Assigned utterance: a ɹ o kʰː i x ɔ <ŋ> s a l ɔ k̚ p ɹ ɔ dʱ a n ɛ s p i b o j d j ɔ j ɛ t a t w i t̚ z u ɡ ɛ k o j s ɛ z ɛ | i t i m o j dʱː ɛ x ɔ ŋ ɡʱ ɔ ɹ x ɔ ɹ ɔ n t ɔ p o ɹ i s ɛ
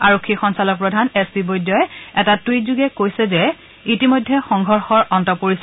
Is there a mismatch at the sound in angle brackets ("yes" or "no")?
yes